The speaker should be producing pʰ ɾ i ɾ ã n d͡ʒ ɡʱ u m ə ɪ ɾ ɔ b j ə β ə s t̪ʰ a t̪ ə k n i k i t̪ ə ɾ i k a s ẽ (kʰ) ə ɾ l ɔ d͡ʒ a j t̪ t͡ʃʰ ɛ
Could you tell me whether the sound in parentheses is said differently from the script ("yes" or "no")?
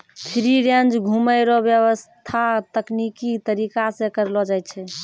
yes